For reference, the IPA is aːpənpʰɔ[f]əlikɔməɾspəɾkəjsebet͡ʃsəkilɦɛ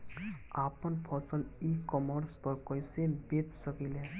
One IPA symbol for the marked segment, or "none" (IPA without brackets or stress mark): s